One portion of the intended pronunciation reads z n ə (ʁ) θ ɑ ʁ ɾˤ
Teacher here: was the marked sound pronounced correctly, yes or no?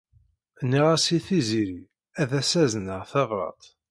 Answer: yes